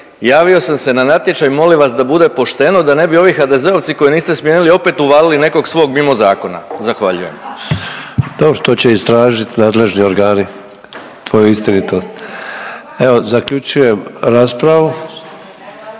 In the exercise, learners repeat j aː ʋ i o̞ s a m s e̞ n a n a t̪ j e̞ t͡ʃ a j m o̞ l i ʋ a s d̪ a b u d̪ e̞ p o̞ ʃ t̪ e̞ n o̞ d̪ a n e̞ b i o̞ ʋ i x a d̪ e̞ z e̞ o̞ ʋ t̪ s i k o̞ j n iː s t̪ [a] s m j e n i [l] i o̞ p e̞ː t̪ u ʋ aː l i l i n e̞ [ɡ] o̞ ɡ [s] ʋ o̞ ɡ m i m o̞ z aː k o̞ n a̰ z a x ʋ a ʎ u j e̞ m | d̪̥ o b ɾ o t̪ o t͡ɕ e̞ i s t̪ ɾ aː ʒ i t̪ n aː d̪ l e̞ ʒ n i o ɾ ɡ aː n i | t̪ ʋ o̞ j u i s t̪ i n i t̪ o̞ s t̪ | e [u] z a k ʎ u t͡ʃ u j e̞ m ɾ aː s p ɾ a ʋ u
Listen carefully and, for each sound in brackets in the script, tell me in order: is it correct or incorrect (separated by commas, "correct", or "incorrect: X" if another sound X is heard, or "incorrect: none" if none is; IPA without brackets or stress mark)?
incorrect: e, correct, incorrect: k, correct, incorrect: o